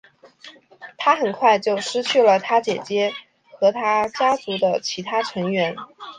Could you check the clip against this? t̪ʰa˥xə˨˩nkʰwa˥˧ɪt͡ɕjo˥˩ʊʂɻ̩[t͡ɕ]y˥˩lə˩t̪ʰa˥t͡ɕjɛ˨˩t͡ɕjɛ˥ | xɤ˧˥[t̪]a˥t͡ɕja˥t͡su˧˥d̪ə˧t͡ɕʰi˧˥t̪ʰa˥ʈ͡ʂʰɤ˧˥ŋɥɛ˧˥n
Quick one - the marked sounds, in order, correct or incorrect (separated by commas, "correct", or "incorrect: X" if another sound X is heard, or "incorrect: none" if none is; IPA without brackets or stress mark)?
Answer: incorrect: t͡ɕʰ, incorrect: t̪ʰ